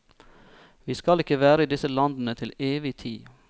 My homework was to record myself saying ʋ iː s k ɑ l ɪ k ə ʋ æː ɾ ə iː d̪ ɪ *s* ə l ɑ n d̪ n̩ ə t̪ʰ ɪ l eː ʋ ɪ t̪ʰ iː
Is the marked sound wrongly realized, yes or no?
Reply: no